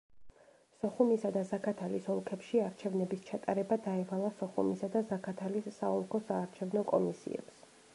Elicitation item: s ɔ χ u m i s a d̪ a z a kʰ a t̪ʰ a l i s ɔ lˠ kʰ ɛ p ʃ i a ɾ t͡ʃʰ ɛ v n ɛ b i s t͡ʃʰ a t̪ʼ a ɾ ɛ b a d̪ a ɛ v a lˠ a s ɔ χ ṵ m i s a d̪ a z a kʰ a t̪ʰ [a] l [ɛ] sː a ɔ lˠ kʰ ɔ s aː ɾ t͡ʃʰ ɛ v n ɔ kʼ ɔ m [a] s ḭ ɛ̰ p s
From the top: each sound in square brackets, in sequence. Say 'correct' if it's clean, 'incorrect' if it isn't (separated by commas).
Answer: correct, incorrect, incorrect